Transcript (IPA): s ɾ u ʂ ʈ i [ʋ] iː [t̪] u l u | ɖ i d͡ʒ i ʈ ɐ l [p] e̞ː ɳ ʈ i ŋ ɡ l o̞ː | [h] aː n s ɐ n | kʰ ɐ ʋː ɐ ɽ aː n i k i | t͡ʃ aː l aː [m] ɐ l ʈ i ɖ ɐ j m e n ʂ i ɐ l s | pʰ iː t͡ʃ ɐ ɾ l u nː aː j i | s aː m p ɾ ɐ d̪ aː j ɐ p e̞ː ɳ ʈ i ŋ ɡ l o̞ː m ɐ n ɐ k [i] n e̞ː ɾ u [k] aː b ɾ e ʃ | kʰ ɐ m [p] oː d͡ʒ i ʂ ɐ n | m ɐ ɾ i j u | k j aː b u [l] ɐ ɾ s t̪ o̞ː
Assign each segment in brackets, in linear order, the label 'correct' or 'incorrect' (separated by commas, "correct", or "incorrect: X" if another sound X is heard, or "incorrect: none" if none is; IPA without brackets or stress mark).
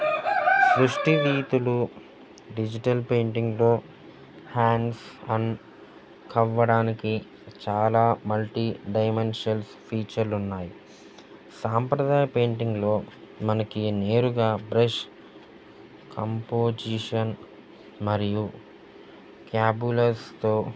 correct, correct, correct, correct, correct, correct, incorrect: ɡ, correct, correct